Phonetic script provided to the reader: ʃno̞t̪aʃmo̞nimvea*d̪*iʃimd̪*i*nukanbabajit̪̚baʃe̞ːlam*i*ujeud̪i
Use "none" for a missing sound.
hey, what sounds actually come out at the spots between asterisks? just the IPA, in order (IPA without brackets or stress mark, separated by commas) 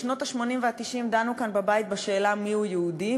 t̪, a, i